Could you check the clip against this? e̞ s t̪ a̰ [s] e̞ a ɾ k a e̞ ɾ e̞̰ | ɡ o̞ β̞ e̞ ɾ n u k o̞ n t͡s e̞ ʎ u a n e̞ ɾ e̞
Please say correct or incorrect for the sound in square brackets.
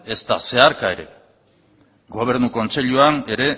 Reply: correct